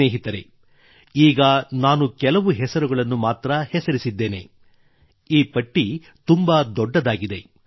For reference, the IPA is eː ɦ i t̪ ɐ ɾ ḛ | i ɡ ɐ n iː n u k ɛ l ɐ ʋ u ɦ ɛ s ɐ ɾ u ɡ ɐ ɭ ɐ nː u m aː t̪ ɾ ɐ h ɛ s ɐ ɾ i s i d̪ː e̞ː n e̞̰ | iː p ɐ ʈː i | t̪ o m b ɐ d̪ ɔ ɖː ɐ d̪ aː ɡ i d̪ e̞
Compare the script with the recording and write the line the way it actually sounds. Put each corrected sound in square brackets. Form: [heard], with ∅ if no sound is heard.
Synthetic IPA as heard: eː ɦ i t̪ ɐ ɾ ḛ | [iː] ɡ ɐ n [aː] n u k ɛ l ɐ ʋ u ɦ ɛ s ɐ ɾ u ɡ ɐ ɭ ɐ nː u m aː t̪ ɾ ɐ h ɛ s ɐ ɾ i s i d̪ː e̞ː n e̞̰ | iː p ɐ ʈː i | t̪ [u] m b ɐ d̪ ɔ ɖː ɐ d̪ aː ɡ i d̪ e̞